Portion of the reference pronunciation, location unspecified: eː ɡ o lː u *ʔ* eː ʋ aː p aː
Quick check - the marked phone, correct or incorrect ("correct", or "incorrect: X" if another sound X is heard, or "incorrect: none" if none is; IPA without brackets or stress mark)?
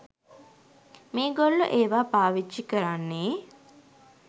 correct